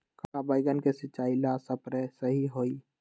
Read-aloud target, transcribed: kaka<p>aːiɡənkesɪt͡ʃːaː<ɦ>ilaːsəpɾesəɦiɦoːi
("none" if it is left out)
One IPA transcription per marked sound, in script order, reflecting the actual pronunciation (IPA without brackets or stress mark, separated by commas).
b, none